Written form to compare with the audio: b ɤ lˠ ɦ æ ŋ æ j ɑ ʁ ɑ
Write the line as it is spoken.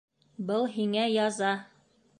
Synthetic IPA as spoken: b ɤ lˠ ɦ i ŋ æ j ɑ z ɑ